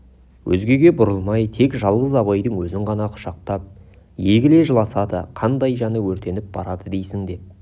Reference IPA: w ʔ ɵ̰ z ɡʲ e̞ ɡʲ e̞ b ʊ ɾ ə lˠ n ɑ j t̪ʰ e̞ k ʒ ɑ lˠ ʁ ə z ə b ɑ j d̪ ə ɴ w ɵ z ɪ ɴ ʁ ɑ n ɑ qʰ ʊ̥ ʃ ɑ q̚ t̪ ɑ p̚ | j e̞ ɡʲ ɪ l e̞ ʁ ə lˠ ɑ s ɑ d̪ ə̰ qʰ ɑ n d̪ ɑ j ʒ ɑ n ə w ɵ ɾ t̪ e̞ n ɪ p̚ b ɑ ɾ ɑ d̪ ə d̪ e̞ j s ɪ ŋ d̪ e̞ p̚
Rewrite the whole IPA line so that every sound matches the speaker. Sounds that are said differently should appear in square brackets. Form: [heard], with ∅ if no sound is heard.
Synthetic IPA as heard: w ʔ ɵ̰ z ɡʲ e̞ ɡʲ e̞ b ʊ ɾ ə lˠ [m] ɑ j t̪ʰ e̞ k ʒ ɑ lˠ ʁ ə z [ɑ] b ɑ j d̪ ə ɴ w ɵ z ɪ ɴ ʁ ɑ n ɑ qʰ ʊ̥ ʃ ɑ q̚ t̪ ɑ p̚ | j e̞ ɡʲ ɪ l e̞ [ʒ] ə lˠ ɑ s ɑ d̪ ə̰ qʰ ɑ n d̪ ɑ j ʒ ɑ n ə w ɵ ɾ t̪ e̞ n ɪ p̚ b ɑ ɾ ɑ d̪ ə d̪ e̞ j s ɪ ŋ d̪ e̞ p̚

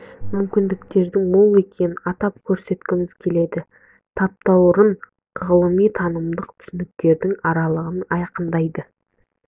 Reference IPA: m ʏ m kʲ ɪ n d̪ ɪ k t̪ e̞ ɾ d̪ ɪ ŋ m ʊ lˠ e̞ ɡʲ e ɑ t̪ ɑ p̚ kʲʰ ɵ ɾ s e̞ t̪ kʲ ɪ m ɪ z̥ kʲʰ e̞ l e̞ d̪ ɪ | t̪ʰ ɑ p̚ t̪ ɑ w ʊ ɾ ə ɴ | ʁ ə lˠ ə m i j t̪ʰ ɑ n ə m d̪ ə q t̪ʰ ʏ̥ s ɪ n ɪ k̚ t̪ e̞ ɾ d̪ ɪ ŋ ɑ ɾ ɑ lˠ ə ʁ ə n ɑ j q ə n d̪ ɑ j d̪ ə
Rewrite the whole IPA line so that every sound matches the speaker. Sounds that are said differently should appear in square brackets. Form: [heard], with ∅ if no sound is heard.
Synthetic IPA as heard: m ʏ m kʲ ɪ n d̪ ɪ k t̪ e̞ ɾ d̪ ɪ ŋ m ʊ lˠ e̞ [kʲ] e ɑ t̪ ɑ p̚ kʲʰ ɵ ɾ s e̞ t̪ kʲ ɪ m ɪ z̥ kʲʰ e̞ l e̞ d̪ ɪ | t̪ʰ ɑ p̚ t̪ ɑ w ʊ ɾ ə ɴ | ʁ ə lˠ ə m i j t̪ʰ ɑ n ə m d̪ ə q t̪ʰ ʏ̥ s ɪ n ɪ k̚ t̪ e̞ ɾ d̪ ɪ ŋ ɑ ɾ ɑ lˠ ə ʁ ə n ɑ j q ə n d̪ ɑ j d̪ ə

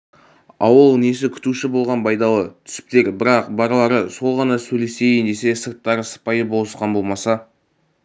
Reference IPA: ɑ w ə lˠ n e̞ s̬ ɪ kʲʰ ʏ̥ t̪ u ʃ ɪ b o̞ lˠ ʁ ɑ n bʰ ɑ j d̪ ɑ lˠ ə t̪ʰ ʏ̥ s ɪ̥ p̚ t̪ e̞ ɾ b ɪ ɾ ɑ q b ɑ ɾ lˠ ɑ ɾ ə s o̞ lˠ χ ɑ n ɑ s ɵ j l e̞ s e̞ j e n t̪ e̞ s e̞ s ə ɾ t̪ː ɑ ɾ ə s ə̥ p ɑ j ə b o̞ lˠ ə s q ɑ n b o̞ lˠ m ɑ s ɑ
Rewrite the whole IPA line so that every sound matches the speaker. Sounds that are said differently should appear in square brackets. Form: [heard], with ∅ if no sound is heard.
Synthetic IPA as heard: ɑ w ə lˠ n e̞ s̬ ɪ kʲʰ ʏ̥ t̪ u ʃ ɪ b o̞ lˠ ʁ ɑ n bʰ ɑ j d̪ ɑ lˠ ə t̪ʰ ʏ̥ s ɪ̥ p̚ t̪ e̞ ɾ b ɪ ɾ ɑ q b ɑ ɾ lˠ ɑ ɾ ə s o̞ lˠ [ʁ] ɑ n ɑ s ɵ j l e̞ s e̞ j e n [d̪] e̞ s e̞ s ə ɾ t̪ː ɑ ɾ ə s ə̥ p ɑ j ə b o̞ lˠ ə s q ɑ n b o̞ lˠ m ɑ s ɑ

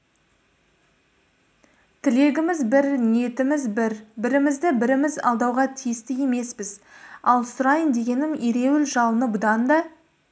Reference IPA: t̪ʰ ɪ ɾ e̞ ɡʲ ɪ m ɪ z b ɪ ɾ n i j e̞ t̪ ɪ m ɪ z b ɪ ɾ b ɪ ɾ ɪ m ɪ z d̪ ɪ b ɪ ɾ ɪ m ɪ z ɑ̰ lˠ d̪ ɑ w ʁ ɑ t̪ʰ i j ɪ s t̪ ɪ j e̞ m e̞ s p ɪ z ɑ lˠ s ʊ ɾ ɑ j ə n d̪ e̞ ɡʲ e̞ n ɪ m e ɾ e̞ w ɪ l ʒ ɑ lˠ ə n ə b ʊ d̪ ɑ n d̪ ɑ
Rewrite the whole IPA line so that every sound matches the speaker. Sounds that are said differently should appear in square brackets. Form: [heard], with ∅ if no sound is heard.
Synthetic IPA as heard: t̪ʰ ɪ [l] e̞ ɡʲ ɪ m ɪ z b ɪ ɾ n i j e̞ t̪ ɪ m ɪ z b ɪ ɾ b ɪ ɾ ɪ m ɪ z d̪ ɪ b ɪ ɾ ɪ m ɪ z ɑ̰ lˠ d̪ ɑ w ʁ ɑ t̪ʰ i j ɪ s t̪ ɪ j e̞ m e̞ s p ɪ z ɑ lˠ s ʊ ɾ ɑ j ə n d̪ e̞ ɡʲ e̞ n ɪ m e ɾ e̞ w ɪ l ʒ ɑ lˠ ə n ə b ʊ d̪ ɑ n d̪ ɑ

